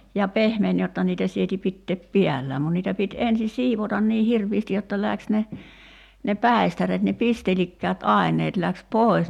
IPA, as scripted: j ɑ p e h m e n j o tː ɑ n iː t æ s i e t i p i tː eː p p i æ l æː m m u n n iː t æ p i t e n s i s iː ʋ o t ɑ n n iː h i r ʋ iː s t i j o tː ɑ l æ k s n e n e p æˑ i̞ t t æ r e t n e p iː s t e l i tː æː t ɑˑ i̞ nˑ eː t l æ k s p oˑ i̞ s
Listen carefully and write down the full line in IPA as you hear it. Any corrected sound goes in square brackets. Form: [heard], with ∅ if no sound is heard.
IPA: j ɑ p e h m e n j o tː ɑ n iː t æ s i e t i p i tː eː p p i æ [lː] æː m m u n n iː t æ p i t e n s i s iː ʋ o t ɑ n n iː h i r ʋ iː s t i j o tː ɑ l æ k s n e n e p æˑ i̞ [s] t æ r e t n e p [i] s t e l i [kː] æː t ɑˑ i̞ nˑ eː t l æ k s p oˑ i̞ s